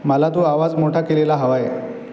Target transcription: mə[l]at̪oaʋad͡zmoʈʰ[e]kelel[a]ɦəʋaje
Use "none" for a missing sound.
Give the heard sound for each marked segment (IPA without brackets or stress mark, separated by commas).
l, a, a